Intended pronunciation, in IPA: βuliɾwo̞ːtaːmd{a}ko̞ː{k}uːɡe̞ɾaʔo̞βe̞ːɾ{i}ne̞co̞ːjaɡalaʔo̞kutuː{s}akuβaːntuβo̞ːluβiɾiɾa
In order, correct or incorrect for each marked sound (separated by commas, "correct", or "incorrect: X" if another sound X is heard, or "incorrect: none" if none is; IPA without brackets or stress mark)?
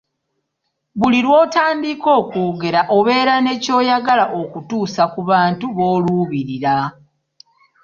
incorrect: i, correct, incorrect: a, correct